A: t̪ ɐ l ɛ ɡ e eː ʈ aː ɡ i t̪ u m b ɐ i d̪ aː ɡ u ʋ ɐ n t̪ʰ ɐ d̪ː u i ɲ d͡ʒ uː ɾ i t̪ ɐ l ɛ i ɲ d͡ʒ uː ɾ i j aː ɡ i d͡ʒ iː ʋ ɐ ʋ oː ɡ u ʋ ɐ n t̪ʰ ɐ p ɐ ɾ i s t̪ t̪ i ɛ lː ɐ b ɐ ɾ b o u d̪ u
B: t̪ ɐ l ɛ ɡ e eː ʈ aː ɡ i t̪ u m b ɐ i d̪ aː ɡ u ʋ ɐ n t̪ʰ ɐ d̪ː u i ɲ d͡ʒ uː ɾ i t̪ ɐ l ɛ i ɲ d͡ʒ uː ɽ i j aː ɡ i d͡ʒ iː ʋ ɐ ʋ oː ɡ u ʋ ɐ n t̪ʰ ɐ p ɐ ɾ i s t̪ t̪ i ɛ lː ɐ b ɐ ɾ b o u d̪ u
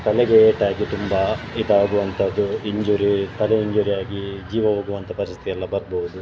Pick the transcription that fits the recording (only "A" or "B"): A